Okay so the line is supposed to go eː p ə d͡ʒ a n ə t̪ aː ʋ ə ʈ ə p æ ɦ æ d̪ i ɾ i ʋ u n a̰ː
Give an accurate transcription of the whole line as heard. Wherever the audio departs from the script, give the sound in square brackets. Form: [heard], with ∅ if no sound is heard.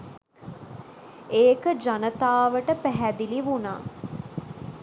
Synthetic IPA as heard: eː [k] ə d͡ʒ a n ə t̪ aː ʋ ə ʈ ə p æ ɦ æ d̪ i [l] i ʋ u n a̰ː